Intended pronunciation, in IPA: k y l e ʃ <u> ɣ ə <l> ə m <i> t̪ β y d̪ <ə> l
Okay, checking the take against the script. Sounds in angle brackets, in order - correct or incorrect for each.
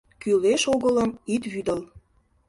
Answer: incorrect: o, correct, correct, correct

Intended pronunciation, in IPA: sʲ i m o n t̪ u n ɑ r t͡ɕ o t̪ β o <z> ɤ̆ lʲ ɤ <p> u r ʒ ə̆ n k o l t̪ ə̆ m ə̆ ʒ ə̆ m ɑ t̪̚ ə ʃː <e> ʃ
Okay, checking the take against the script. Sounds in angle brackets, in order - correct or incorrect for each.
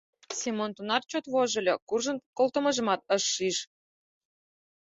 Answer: incorrect: ʒ, incorrect: k, incorrect: i

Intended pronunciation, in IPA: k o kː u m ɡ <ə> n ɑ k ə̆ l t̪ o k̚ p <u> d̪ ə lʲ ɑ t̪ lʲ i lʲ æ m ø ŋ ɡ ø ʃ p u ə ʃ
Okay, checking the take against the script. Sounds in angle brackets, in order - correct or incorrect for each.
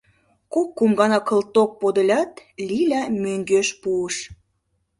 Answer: incorrect: ɑ, incorrect: o

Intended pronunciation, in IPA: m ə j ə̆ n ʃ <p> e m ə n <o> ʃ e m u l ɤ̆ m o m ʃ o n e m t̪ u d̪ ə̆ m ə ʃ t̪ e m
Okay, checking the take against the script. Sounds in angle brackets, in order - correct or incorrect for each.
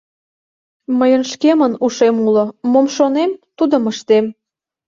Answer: incorrect: k, incorrect: u

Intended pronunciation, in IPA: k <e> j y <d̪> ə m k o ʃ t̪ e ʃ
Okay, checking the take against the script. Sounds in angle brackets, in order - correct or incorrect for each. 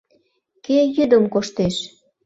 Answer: correct, correct

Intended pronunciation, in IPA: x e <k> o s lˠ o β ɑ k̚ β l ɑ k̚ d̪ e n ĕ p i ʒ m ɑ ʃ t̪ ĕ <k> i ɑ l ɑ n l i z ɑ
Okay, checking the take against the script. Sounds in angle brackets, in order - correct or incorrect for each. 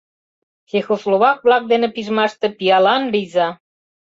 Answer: incorrect: x, incorrect: p

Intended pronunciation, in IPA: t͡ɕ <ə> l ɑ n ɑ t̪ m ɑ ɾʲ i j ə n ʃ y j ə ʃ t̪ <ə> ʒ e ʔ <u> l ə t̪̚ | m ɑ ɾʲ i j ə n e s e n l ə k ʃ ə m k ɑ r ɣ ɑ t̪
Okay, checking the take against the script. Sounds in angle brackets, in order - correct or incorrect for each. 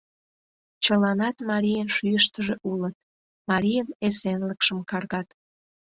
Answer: correct, correct, correct

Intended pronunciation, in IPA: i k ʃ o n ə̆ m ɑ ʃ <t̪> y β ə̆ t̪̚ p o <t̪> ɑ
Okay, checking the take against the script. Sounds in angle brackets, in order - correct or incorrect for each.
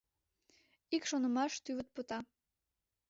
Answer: correct, correct

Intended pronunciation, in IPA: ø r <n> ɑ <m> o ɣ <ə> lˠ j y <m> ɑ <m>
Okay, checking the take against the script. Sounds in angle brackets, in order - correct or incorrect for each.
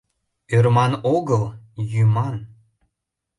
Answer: incorrect: m, incorrect: n, correct, correct, incorrect: n

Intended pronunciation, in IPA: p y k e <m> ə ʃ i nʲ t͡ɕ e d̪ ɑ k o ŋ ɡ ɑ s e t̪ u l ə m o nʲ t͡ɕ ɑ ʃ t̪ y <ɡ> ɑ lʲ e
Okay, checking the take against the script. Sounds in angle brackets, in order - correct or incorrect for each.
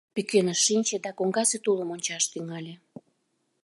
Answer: incorrect: n, incorrect: ŋ

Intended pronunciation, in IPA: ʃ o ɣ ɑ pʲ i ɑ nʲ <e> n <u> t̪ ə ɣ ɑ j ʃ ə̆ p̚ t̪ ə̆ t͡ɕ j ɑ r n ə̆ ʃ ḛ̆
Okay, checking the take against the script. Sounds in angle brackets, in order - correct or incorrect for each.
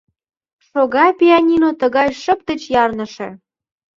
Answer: incorrect: i, incorrect: o

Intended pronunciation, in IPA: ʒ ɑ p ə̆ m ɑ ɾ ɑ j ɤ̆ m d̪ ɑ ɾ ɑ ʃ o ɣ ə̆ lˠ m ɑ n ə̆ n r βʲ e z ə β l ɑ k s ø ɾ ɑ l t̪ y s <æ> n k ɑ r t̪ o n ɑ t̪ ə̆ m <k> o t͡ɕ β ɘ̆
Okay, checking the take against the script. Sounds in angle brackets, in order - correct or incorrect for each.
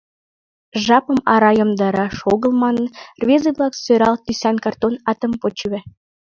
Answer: correct, incorrect: p

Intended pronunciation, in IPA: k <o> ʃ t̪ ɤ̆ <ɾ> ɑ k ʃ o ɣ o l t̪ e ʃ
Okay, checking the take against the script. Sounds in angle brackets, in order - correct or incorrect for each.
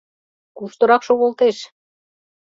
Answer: incorrect: u, correct

